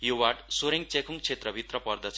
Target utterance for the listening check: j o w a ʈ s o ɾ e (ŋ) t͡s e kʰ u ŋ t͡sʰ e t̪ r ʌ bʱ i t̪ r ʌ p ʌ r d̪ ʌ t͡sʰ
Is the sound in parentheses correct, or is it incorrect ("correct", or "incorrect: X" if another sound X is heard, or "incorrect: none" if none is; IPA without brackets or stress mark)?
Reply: correct